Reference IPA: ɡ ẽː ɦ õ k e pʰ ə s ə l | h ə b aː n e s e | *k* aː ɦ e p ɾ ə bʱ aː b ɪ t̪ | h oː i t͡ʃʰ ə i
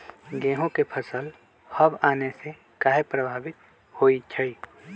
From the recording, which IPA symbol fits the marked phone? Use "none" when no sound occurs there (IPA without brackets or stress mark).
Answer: k